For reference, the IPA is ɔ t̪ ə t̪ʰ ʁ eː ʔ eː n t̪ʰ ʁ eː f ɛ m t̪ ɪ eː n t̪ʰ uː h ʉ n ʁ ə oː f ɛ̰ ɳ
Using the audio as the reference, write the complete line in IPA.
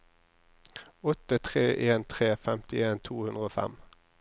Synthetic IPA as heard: ɔ t̪ ə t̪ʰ ʁ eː ʔ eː n t̪ʰ ʁ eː f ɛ m t̪ ɪ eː n t̪ʰ uː h ʉ n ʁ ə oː f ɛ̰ m